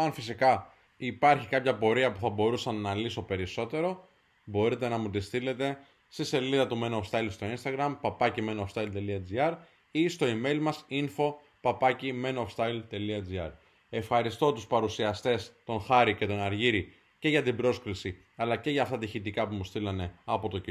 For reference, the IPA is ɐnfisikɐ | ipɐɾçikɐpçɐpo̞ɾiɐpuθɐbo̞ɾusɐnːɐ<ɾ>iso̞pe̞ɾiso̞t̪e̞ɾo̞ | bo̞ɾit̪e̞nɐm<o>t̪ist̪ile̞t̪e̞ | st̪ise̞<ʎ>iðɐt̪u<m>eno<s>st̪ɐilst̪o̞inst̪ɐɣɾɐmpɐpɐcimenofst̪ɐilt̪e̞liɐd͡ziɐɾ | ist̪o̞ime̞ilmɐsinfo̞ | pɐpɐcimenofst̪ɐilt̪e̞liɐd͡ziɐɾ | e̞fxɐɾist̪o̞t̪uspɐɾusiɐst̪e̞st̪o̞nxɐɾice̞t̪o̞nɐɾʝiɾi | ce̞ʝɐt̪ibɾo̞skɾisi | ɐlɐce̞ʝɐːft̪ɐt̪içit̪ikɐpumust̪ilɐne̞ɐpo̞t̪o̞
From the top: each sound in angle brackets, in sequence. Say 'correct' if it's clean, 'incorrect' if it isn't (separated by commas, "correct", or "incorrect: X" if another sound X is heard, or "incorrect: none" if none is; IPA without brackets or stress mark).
incorrect: l, incorrect: u, incorrect: l, correct, incorrect: f